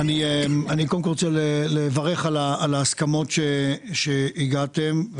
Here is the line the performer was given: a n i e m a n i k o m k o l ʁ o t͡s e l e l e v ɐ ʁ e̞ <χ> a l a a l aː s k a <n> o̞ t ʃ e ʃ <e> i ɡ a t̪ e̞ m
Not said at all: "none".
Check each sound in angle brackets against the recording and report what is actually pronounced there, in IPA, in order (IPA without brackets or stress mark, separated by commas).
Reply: χ, m, e